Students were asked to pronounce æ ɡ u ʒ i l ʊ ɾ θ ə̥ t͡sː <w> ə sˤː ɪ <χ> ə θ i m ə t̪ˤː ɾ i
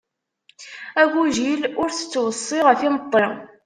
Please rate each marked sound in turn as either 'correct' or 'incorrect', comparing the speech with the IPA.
correct, incorrect: ʁ

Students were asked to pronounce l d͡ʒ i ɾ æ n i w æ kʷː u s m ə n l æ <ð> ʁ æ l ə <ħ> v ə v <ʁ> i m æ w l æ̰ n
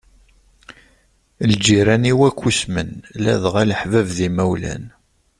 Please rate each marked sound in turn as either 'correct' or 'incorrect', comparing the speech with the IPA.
correct, correct, incorrect: ð

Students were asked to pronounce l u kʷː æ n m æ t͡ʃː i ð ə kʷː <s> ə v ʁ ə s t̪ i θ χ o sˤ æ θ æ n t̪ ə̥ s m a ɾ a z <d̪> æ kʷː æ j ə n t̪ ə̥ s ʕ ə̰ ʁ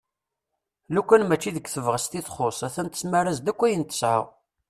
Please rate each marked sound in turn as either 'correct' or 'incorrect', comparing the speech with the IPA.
incorrect: θ, correct

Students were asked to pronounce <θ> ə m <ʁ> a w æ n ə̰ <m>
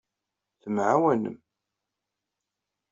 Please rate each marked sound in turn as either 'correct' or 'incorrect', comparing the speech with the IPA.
correct, incorrect: ʕ, correct

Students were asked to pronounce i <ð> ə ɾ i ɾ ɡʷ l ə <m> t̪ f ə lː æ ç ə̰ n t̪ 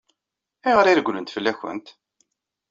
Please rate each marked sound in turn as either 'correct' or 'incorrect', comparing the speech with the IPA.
incorrect: ʁ, incorrect: n

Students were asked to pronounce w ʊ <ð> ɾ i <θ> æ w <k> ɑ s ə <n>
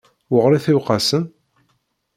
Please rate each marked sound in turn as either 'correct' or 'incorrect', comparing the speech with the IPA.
incorrect: ʁ, correct, incorrect: q, correct

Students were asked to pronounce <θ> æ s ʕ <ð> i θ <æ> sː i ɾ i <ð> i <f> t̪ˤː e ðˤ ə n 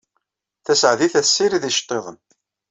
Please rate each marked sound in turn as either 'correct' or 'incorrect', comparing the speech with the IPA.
correct, correct, correct, correct, incorrect: ʃ

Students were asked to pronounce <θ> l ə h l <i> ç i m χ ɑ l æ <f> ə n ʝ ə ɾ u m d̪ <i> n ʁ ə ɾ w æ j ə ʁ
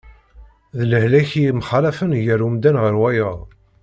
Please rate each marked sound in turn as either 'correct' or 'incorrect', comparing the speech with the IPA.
incorrect: ð, incorrect: æ, correct, incorrect: æ

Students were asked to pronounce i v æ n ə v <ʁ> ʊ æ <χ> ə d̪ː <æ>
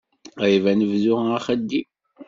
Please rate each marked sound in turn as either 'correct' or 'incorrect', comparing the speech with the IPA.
incorrect: ð, correct, incorrect: i

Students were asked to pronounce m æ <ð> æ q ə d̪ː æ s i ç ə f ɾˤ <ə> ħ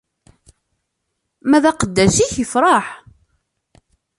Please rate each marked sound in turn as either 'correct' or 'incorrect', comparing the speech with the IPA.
correct, incorrect: ɑ

